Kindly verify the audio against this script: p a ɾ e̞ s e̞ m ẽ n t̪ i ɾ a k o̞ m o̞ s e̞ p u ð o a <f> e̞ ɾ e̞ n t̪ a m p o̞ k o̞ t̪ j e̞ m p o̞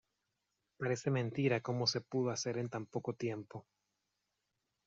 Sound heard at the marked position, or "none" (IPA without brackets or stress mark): s